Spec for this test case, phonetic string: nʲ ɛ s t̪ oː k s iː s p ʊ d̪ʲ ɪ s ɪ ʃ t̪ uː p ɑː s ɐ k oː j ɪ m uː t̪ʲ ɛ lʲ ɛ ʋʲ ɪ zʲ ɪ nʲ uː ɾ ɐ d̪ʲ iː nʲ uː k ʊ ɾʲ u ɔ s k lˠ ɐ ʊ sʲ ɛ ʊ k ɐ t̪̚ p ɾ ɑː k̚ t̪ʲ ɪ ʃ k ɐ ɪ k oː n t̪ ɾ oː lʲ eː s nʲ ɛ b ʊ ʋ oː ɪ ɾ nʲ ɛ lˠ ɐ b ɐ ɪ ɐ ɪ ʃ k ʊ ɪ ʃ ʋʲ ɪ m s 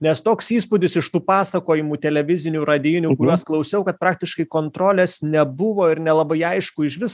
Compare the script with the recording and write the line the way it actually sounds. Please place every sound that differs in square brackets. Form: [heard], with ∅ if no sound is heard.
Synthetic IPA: nʲ ɛ s t̪ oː k s iː s p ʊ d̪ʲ ɪ s ɪ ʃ t̪ uː p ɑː s ɐ k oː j ɪ m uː t̪ʲ ɛ lʲ ɛ ʋʲ ɪ zʲ ɪ nʲ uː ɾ ɐ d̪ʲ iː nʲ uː k ʊ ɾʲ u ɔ s k lˠ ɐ ʊ sʲ ɛ ʊ k ɐ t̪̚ p ɾ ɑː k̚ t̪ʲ ɪ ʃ k ɐ ɪ k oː n t̪ ɾ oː lʲ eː s nʲ ɛ b ʊ ʋ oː ɪ ɾ nʲ ɛ lˠ ɐ b ɐ ɪ ɐ ɪ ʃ k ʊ ɪ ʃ ʋʲ ɪ [∅] s